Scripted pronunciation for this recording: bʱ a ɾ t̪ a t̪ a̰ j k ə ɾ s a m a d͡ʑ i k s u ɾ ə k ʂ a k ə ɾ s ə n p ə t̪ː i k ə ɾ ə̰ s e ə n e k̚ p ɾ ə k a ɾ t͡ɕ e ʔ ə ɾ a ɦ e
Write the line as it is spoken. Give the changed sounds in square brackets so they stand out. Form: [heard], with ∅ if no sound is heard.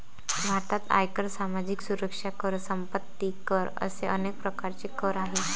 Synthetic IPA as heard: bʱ a ɾ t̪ a t̪ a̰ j k ə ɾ s a m a d͡ʑ i k s u ɾ ə k ʂ a k ə ɾ s ə [m] p ə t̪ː i k ə ɾ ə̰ s e ə n e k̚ p ɾ ə k a ɾ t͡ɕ e [k] ə ɾ a ɦ e